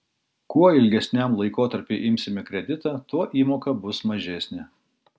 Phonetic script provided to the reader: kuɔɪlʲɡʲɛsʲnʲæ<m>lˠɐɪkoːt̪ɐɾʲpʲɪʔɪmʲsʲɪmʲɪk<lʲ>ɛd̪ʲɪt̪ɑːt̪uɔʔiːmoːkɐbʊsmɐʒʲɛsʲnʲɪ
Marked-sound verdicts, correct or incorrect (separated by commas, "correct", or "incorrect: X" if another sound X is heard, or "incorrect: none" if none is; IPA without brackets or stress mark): correct, incorrect: ɾʲ